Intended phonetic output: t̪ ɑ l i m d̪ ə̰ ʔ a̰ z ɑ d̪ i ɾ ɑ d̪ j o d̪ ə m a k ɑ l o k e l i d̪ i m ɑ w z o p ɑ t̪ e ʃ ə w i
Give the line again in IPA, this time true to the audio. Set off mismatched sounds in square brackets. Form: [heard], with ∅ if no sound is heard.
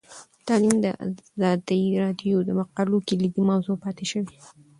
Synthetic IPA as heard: t̪ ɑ l i m d̪ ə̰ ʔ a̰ z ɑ d̪ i ɾ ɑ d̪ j o d̪ ə m a [q] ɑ l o k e l i d̪ i m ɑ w z o p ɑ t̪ e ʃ ə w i

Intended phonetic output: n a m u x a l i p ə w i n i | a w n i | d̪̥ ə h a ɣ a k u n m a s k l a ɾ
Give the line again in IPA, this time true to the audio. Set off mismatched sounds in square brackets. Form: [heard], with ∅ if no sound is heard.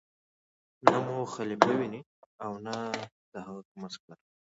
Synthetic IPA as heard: n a m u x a l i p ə w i n i | a w n [a] | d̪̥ ə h a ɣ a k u [∅] m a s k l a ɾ

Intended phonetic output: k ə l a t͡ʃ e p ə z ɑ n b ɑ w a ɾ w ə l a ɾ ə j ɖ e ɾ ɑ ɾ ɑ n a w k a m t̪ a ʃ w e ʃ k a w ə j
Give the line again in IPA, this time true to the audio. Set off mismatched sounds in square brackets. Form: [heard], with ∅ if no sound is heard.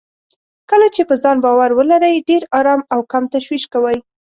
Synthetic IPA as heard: k ə l a t͡ʃ e p ə z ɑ n b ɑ w a ɾ w ə l a ɾ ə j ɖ e ɾ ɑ ɾ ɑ [m] a w k a m t̪ a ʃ w [i] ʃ k a w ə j

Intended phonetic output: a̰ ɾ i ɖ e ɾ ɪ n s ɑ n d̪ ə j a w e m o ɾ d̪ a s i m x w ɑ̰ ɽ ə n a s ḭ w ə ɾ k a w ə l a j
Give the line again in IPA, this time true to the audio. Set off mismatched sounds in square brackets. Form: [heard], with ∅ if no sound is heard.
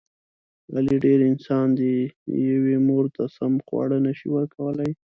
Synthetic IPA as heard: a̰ [l] i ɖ e ɾ ɪ n s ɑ n d̪ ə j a w e m o ɾ [t̪] a s [a] m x w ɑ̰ ɽ ə n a [ʃ] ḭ w ə ɾ k a w ə l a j

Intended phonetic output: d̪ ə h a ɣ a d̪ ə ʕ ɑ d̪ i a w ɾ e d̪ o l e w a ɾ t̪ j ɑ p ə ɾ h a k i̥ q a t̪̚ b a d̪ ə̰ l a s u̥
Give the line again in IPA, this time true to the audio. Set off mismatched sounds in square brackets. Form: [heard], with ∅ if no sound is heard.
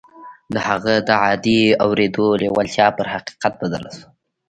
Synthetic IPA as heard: d̪ ə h a ɣ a d̪ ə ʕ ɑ d̪ i a w ɾ e d̪ o l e w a [l] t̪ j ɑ p ə ɾ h a [q] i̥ q a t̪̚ b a d̪ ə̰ l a s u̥

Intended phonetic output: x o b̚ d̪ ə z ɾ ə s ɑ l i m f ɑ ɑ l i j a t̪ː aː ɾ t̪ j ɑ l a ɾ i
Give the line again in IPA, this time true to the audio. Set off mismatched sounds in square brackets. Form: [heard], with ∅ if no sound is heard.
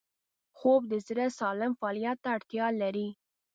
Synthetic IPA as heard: x o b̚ d̪ ə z ɾ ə s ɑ l [ɪ] m f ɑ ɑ l i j a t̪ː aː [ɽ] t̪ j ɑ l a ɾ i

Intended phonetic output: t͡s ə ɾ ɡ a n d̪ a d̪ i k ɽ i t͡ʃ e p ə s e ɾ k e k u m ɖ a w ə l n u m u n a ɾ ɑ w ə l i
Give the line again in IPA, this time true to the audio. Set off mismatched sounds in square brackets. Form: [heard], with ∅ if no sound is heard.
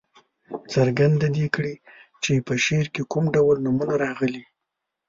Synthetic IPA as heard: t͡s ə ɾ ɡ a n d̪ a d̪ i k ɽ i t͡ʃ e p ə [ʃ] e ɾ k e k u m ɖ a w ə l n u m u n a ɾ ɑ [ɣ] ə l i

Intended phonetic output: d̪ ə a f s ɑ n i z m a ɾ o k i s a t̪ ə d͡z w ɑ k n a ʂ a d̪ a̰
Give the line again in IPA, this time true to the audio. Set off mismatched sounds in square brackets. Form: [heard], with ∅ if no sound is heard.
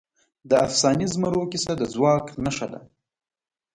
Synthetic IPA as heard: d̪ ə a f s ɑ n i z m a ɾ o k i s a [d̪] ə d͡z w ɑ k n a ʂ a d̪ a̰

